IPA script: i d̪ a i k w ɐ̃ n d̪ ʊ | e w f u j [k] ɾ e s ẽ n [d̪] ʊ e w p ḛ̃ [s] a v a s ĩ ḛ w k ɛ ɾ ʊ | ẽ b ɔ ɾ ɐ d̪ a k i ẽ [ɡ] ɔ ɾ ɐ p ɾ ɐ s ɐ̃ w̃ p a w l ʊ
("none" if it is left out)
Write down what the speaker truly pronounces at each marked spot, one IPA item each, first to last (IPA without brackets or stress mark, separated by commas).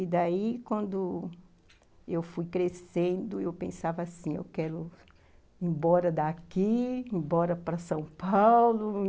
k, d̪, s, b